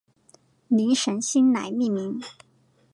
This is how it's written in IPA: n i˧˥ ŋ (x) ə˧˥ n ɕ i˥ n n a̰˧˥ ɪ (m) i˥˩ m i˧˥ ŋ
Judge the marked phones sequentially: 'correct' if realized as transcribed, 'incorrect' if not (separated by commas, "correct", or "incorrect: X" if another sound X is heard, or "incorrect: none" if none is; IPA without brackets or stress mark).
incorrect: ʂ, correct